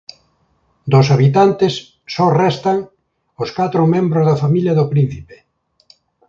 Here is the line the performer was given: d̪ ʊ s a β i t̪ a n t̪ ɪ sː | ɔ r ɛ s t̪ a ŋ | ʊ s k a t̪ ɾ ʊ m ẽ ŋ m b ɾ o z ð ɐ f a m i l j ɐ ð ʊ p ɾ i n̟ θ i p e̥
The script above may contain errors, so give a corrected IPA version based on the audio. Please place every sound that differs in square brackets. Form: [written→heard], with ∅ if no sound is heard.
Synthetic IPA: d̪ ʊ s a β i t̪ a n t̪ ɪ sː | ɔ r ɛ s t̪ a ŋ | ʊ s k a t̪ ɾ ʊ m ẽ [ŋ→∅] m b ɾ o z ð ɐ f a m i l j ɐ ð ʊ p ɾ i n̟ θ i p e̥